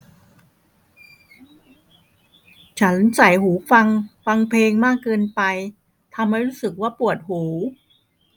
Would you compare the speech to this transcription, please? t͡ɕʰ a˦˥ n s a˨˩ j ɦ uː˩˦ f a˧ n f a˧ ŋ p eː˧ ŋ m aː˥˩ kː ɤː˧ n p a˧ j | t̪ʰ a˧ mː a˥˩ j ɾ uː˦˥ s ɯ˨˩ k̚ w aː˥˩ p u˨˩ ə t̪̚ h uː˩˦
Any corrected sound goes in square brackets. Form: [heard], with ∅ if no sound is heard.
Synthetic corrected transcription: t͡ɕʰ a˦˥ n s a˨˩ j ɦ uː˩˦ f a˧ [ŋ] f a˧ ŋ [pʰ] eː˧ ŋ m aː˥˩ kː ɤː˧ n p a˧ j | t̪ʰ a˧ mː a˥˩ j ɾ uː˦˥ s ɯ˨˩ k̚ w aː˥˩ p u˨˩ ə t̪̚ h uː˩˦